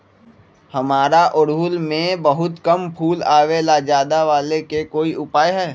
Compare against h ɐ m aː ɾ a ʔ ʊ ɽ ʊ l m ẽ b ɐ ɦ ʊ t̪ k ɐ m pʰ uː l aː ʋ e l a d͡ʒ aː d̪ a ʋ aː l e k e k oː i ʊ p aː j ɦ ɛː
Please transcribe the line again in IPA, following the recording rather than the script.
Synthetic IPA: h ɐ m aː ɾ a ʔ ʊ ɽ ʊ l m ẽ b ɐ ɦ ʊ t̪ k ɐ m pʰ uː l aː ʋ e l a d͡ʒ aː d̪ a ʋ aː l e k e k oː i ʊ p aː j ɦ ɛː